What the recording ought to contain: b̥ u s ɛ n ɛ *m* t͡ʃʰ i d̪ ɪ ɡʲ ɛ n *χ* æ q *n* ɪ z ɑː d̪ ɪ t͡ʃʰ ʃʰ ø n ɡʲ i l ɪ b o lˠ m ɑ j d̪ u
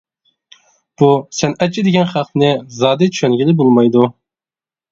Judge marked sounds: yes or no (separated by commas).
no, yes, yes